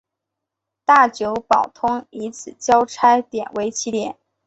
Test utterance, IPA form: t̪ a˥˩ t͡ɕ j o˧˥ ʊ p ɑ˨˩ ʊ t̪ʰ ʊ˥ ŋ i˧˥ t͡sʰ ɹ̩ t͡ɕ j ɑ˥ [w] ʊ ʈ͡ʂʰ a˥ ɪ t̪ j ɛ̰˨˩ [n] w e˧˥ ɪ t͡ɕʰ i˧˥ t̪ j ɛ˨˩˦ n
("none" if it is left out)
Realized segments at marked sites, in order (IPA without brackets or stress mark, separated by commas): none, n